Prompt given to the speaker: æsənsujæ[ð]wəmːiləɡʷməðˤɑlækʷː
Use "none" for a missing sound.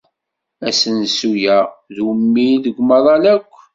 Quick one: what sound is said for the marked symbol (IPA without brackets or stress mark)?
ð